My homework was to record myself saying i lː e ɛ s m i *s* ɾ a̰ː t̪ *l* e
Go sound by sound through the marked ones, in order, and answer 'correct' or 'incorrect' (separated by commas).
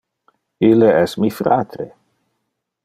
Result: incorrect, incorrect